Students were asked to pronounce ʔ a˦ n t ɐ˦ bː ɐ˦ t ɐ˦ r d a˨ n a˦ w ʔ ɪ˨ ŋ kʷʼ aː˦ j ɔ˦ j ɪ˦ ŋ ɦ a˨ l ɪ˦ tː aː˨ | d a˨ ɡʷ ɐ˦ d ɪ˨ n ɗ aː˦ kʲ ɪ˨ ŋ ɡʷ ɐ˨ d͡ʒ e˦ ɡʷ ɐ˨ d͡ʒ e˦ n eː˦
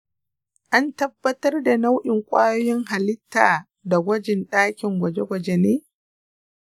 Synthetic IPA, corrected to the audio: ʔ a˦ n t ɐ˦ bː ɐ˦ t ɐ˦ r d a˨ n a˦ w ʔ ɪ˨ ŋ kʷʼ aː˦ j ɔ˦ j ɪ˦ ŋ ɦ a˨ l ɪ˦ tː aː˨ | d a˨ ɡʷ ɐ˦ d͡ʒ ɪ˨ n ɗ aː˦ kʲ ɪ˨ ŋ ɡʷ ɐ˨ d͡ʒ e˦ ɡʷ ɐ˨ d͡ʒ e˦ n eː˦

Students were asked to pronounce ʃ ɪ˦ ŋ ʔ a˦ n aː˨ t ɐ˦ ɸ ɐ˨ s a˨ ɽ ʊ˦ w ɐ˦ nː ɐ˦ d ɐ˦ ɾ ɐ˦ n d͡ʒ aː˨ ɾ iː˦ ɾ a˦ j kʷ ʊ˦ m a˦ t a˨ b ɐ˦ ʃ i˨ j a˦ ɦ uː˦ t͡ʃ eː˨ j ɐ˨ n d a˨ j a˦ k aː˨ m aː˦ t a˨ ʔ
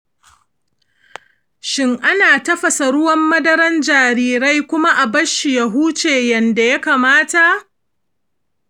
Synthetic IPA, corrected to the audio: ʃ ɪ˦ ŋ ʔ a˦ n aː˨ t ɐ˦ ɸ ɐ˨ s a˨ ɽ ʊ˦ w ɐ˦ mː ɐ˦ d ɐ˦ ɾ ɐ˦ n d͡ʒ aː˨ ɾ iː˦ ɾ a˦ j kʷ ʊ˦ m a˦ ʔ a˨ b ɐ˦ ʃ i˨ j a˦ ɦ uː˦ t͡ʃ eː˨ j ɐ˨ n d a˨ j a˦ k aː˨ m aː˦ t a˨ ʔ

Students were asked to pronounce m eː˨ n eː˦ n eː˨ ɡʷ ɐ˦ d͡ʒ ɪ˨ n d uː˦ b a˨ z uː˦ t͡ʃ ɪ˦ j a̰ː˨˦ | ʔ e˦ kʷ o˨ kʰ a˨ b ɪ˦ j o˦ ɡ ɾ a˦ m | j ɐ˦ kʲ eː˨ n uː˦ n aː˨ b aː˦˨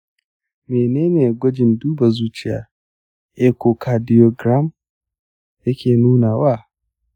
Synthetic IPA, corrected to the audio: m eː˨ n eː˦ n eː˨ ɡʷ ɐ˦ d͡ʒ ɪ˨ n d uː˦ b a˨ z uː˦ t͡ʃ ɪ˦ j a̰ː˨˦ | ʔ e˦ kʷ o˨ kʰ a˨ d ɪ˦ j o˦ ɡ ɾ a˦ m | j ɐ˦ kʲ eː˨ n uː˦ n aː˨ w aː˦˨

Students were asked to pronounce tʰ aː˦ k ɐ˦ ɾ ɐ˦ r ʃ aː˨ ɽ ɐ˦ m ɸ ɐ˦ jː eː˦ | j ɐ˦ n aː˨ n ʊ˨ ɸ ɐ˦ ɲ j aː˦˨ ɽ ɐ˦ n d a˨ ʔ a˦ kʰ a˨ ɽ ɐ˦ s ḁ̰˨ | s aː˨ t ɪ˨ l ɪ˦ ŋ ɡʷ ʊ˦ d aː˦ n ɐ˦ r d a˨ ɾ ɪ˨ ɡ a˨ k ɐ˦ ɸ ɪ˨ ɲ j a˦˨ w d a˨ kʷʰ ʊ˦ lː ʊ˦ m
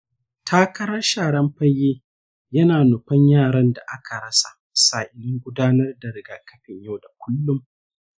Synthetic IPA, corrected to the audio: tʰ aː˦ k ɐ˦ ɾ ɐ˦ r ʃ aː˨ ɽ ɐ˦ m ɸ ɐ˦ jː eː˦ | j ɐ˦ n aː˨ n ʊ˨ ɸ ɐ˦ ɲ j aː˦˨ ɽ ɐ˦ n d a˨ ʔ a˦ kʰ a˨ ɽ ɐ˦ s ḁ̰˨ | s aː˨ ʔ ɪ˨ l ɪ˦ ŋ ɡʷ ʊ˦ d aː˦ n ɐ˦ r d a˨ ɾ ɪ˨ ɡ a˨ k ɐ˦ ɸ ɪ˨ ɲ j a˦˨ w d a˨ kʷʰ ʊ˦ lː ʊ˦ m

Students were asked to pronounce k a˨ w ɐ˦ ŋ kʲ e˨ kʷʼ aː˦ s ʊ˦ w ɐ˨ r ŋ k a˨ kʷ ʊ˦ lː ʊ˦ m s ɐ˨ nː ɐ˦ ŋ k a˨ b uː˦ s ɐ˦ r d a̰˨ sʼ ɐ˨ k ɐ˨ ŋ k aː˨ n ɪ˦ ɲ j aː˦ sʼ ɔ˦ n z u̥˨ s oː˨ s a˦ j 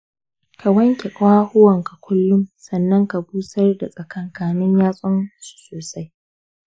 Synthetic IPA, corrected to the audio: k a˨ w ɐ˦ ŋ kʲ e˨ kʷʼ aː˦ h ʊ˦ w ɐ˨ ŋ k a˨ kʷ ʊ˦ lː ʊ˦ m s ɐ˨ nː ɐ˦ ŋ k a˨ b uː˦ s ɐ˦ r d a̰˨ sʼ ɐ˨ k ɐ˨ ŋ k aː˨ n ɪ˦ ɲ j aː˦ sʼ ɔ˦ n s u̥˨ s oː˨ s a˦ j

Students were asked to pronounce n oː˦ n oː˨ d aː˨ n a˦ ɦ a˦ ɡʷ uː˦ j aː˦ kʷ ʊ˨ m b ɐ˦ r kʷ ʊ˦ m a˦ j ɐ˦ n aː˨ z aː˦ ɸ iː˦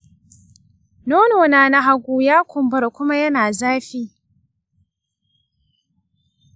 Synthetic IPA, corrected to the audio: n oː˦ n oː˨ n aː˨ n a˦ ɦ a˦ ɡʷ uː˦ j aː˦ kʷ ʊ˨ m b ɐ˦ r kʷ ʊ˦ m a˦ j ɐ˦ n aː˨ z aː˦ ɸ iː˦

